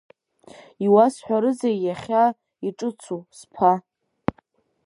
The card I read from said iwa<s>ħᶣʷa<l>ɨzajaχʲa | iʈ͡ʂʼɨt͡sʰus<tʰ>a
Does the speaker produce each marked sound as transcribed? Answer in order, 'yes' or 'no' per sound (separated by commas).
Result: yes, no, no